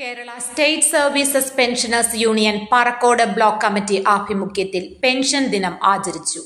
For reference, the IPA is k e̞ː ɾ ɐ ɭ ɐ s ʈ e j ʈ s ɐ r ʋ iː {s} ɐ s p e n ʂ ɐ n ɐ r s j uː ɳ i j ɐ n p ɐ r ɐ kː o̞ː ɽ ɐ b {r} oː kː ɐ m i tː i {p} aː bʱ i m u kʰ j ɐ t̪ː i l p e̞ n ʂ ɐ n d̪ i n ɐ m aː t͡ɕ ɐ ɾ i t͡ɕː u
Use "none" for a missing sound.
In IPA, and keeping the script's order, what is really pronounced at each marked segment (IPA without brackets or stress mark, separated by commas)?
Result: s, ɭ, ʔ